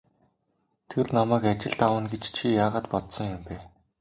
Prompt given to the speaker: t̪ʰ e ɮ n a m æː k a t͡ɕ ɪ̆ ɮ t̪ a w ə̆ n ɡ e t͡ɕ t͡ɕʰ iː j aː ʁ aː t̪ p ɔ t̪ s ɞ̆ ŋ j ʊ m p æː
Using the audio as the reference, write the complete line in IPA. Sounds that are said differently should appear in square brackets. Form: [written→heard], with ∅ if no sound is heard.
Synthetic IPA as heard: t̪ʰ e ɮ n a m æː k a t͡ɕ ɪ̆ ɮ t̪ a w ə̆ n ɡ e t͡ɕ t͡ɕʰ [iː→i] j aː ʁ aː t̪ p ɔ t̪ s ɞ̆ ŋ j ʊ m p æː